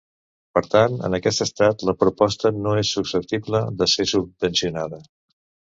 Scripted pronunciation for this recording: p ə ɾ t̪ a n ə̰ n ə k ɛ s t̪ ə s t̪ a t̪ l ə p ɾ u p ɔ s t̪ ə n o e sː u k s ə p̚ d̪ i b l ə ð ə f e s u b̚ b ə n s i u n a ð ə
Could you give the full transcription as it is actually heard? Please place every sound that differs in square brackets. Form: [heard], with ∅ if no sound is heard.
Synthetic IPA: p ə ɾ t̪ a n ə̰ n ə k ɛ s t̪ ə s t̪ a t̪ l ə p ɾ u p ɔ s t̪ ə n o e sː u k s ə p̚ [t̪] i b l ə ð ə [s] e s u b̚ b ə n s i u n a ð ə